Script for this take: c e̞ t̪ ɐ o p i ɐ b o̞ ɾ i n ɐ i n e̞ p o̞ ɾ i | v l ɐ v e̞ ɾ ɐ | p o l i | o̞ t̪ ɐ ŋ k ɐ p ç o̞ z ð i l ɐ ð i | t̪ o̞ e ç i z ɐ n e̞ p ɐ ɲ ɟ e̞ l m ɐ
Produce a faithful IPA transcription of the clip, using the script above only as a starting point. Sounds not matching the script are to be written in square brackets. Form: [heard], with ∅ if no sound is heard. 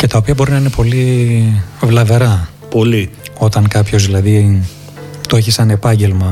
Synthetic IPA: c e̞ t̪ ɐ o p i ɐ b o̞ ɾ i n ɐ i n e̞ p o̞ [l] i | v l ɐ v e̞ ɾ ɐ | p o l i | o̞ t̪ ɐ ŋ k ɐ p ç o̞ z ð i l ɐ ð i | t̪ o̞ e ç i [s] ɐ n e̞ p ɐ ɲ ɟ e̞ l m ɐ